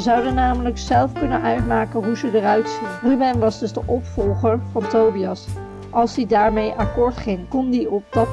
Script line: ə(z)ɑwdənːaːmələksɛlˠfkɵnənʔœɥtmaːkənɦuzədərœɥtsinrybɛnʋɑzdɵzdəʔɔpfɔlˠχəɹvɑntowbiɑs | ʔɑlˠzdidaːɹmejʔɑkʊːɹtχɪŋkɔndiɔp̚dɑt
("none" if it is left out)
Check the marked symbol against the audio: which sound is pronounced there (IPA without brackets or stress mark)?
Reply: z